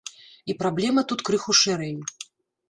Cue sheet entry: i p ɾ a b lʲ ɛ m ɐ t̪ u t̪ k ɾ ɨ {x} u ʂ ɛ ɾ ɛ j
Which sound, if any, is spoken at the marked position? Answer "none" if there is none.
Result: x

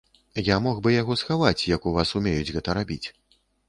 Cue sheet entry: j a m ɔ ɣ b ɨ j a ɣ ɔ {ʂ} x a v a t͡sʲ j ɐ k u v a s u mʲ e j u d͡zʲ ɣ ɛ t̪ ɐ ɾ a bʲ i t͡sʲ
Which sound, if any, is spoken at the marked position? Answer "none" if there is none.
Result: s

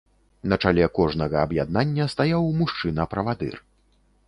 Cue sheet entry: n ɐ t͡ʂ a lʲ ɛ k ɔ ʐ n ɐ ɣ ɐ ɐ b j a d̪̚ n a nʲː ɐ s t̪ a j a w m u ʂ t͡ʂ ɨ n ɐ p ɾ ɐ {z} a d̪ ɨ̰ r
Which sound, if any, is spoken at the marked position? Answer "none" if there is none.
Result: v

